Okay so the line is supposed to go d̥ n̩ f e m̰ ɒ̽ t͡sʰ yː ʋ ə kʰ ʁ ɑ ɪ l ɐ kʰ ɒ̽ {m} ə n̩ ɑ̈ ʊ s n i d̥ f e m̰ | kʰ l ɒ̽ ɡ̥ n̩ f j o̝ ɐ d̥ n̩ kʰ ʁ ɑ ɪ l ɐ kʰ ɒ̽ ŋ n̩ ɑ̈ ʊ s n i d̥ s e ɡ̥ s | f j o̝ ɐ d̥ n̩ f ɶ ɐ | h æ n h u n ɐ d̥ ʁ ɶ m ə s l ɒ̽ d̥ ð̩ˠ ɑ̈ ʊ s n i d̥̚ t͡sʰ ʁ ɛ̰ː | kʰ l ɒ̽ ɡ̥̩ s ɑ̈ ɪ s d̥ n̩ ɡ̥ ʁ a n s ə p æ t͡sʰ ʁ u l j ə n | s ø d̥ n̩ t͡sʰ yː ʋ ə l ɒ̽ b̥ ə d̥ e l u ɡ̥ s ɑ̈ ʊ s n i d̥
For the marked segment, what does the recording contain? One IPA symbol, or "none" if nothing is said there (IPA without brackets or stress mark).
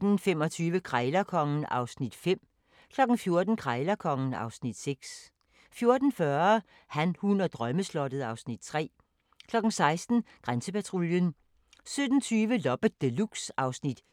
ŋ